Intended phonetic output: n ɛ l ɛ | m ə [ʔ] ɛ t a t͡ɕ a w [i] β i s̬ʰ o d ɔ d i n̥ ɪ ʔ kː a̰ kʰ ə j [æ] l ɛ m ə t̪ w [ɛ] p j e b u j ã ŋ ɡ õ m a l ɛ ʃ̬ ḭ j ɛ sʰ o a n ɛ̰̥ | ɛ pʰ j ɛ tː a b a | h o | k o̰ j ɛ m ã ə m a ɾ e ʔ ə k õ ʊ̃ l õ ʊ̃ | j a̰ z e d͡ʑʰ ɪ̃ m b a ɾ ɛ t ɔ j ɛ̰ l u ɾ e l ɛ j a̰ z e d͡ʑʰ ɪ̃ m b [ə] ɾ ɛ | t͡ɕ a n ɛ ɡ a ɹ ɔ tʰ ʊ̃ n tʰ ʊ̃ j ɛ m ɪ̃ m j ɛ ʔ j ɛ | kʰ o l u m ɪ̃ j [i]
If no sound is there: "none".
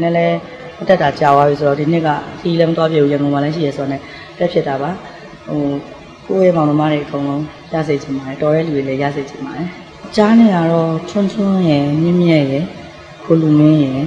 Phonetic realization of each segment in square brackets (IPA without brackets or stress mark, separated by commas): t, a, i, a, a, ɛ